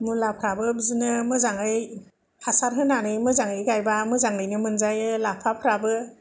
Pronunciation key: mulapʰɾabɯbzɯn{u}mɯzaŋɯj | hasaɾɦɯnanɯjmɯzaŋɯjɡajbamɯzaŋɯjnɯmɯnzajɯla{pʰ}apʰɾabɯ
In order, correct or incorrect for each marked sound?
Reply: incorrect: ɯ, correct

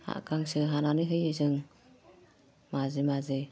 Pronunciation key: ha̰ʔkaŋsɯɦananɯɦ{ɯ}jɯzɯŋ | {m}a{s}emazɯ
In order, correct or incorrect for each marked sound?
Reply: correct, correct, incorrect: z

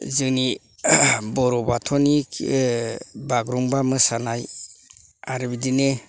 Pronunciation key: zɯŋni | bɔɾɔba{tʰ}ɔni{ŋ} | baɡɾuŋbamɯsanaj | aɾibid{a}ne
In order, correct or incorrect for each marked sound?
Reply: correct, incorrect: none, incorrect: i

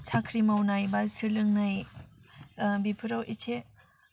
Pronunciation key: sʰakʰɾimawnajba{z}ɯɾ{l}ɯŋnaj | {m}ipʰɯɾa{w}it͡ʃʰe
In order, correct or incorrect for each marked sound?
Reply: incorrect: s, correct, incorrect: b, correct

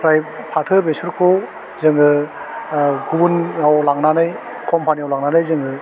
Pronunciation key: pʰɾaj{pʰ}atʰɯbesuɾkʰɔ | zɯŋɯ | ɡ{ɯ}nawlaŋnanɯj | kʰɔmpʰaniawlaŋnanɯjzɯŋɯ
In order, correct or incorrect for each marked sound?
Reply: correct, incorrect: u

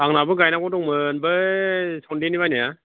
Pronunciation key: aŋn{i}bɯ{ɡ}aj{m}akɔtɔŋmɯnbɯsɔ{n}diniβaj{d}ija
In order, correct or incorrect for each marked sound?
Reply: incorrect: a, correct, incorrect: n, correct, incorrect: n

